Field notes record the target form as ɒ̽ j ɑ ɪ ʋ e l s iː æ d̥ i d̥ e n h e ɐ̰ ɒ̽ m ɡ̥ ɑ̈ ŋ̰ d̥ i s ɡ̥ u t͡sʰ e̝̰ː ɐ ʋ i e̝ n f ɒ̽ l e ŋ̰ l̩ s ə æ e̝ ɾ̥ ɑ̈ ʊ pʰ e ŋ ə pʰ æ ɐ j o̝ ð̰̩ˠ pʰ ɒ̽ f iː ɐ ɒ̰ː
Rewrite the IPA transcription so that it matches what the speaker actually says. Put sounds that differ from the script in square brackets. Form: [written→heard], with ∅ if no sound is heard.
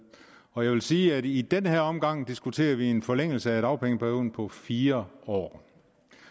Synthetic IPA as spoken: ɒ̽ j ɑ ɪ ʋ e l s iː æ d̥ i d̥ e n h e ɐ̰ ɒ̽ m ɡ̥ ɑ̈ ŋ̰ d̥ i s ɡ̥ u t͡sʰ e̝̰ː ɐ ʋ i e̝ n f ɒ̽ l e ŋ̰ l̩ s ə æ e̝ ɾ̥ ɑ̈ ʊ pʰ e ŋ ə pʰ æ ɐ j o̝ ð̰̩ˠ pʰ ɒ̽ f iː ɐ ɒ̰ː